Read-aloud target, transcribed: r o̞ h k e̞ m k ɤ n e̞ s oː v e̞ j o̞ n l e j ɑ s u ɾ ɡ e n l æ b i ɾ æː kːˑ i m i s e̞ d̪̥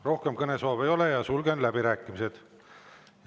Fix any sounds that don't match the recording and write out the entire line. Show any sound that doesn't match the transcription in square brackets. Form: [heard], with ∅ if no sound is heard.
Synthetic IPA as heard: r o̞ h k e̞ m k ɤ n e̞ s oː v e̞ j o̞ [∅] l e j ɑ s u [l] ɡ e n l æ b i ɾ æː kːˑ i m i s e̞ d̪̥

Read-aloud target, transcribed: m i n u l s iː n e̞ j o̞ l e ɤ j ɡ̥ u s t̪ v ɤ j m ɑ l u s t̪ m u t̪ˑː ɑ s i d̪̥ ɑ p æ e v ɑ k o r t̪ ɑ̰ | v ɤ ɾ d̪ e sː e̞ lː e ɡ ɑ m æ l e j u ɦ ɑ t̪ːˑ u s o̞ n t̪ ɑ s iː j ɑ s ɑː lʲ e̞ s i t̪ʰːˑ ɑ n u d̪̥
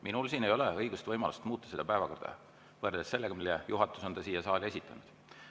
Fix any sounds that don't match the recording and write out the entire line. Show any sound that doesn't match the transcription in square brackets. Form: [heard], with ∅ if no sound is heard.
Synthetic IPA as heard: m i n u l s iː n e̞ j o̞ l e ɤ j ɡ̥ u s t̪ v ɤ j m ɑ l u s t̪ m [uː] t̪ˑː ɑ s [e] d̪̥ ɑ p æ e v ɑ k o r [d̪] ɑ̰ | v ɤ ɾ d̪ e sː e̞ lː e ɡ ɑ m [i] l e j u ɦ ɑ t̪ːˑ u s o̞ n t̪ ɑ s iː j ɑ s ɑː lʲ e̞ s i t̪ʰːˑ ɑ n u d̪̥

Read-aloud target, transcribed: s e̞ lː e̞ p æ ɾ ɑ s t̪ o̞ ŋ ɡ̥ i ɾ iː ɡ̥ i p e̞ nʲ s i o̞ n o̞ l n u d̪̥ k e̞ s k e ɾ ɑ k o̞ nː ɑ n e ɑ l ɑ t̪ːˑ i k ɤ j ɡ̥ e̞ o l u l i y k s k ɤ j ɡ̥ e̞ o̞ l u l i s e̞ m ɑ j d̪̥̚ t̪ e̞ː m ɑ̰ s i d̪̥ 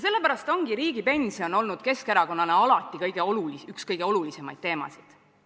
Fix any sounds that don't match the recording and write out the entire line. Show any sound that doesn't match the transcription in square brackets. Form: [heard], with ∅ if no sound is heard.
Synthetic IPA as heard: s e̞ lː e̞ p æ ɾ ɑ s t̪ o̞ ŋ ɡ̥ i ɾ iː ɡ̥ i p e̞ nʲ s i o̞ n o̞ l n u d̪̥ k e̞ s k e ɾ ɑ k o̞ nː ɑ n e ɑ l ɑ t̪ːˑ i k ɤ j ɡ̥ e̞ o l u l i y k s k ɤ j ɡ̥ e̞ o̞ l u l i s e̞ m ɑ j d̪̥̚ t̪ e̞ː m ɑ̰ s i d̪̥

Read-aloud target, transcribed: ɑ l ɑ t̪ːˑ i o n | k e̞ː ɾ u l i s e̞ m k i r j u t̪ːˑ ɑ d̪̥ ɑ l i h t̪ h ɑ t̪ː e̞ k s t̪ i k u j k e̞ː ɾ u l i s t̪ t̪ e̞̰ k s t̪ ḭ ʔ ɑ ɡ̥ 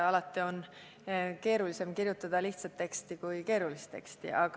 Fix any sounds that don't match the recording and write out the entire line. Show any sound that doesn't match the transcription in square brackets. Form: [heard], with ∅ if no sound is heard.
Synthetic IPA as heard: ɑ l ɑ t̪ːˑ i o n | k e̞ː ɾ u l i s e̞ m k i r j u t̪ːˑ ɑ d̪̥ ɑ l i h t̪ [s] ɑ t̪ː e̞ k s t̪ i k u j k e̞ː ɾ u l i s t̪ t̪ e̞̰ k s t̪ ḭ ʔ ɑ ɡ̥

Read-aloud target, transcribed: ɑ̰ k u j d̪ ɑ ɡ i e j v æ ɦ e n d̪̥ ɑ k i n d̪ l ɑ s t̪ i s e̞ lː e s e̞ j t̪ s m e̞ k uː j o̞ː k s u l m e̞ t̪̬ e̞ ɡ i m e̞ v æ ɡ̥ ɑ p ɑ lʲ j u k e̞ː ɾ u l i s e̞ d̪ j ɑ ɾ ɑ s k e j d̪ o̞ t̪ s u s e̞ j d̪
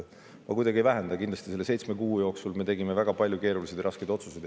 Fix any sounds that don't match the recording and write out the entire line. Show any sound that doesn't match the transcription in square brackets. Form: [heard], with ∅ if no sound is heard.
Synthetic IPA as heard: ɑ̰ k u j d̪ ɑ ɡ i e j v æ ɦ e n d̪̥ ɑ k i n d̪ l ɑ s t̪ i s e̞ lː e s e̞ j t̪ s m e̞ k uː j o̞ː k s u l m e̞ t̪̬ e̞ ɡ i m e̞ v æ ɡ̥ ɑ p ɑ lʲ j u k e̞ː ɾ u l i s e̞ d̪ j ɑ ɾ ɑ s k e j d̪ o̞ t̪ s u s e̞ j d̪

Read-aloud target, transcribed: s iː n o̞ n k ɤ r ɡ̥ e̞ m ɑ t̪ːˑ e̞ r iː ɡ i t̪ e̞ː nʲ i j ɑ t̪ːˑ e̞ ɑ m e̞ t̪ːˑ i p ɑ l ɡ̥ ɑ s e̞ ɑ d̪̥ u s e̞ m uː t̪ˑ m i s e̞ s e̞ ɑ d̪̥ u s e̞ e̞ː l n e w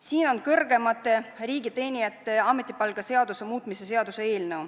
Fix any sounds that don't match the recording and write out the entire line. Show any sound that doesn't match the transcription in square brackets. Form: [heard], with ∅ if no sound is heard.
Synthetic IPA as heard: s iː n o̞ n k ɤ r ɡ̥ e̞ m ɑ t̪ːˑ e̞ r iː ɡ i t̪ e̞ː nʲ i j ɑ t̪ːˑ e̞ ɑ m e̞ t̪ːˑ i p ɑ l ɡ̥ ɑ s e̞ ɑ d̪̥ u s e̞ m uː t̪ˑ m i s e̞ s e̞ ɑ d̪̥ u s e̞ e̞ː l n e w

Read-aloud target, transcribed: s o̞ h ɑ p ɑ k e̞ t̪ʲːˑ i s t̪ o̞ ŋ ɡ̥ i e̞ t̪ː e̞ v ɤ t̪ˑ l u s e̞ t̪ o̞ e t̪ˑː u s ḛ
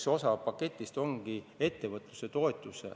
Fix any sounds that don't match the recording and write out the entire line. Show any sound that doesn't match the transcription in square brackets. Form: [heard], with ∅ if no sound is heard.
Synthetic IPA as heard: s o̞ [s] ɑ p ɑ k e̞ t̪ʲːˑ i s t̪ o̞ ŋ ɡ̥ i e̞ t̪ː e̞ v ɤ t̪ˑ l u s e̞ t̪ o̞ e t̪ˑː u s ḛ

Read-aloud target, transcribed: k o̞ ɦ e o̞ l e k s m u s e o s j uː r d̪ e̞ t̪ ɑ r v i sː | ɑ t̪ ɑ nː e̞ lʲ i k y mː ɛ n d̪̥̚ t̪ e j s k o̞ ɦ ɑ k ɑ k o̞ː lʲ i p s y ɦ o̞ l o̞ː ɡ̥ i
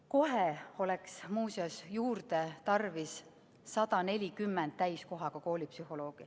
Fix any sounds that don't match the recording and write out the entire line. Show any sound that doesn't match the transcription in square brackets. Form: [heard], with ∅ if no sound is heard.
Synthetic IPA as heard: k o̞ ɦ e o̞ l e k s m [uː] s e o s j uː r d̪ e̞ t̪ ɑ r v i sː | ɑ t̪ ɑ [n] e̞ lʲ i k y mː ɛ n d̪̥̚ t̪ [æ] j s k o̞ ɦ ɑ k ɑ k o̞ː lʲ i p s y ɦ o̞ l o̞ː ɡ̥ i

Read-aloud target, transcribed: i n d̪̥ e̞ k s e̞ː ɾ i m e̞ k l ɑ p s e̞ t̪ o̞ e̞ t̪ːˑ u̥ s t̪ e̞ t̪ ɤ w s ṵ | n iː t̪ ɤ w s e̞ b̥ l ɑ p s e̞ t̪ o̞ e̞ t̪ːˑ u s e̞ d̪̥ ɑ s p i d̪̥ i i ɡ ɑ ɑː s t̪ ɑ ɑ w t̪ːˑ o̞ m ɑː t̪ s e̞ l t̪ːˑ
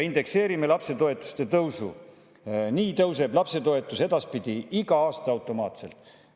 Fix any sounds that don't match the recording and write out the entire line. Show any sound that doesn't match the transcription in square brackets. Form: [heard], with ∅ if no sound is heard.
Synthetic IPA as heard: i n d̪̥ e̞ k s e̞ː ɾ i m e̞ [∅] l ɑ p s e̞ t̪ o̞ e̞ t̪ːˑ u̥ s t̪ e̞ t̪ ɤ w s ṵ | n iː t̪ ɤ w s e̞ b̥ l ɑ p s e̞ t̪ o̞ e̞ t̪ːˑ u s e̞ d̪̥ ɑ s p i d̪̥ i i ɡ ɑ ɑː s t̪ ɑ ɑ w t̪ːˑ o̞ m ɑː t̪ s e̞ l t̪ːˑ

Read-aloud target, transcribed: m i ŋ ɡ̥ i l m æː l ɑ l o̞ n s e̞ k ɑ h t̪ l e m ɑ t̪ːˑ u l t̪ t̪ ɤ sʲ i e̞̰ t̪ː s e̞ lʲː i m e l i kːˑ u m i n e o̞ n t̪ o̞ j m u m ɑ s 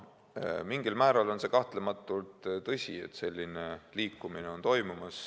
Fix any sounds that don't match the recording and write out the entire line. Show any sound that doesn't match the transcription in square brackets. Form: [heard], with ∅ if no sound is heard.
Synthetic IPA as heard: m i ŋ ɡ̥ i l m æː [ɾ] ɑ l o̞ n s e̞ k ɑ h t̪ l e m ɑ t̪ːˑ u l t̪ t̪ ɤ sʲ i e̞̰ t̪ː s e̞ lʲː i [n] e l [iː] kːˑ u m i n e o̞ n t̪ o̞ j m u m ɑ s

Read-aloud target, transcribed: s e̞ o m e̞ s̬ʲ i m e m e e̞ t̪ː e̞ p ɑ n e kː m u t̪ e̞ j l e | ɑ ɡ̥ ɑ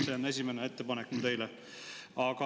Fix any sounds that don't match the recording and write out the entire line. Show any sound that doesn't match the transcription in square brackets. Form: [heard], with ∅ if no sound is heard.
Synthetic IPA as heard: s e̞ o [n] e̞ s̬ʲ i m e [n] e e̞ t̪ː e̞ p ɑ n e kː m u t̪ e̞ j l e | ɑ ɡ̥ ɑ

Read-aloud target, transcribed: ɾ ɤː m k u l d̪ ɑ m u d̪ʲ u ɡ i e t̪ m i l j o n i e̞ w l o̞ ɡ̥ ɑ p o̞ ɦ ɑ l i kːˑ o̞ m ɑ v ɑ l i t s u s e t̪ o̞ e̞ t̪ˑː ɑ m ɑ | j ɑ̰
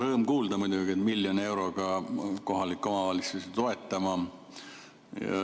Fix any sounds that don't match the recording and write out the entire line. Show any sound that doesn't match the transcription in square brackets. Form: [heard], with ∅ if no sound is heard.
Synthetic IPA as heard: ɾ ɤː m k [uː] l d̪ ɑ m u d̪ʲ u ɡ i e t̪ m i l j o n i e̞ w [ɾ] o̞ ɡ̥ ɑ [k] o̞ ɦ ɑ l i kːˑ o̞ m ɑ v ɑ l i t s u s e t̪ o̞ e̞ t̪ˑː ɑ m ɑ | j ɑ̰

